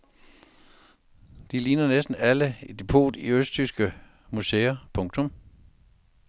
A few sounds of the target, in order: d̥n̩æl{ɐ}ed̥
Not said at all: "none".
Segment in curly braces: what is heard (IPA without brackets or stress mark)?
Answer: ə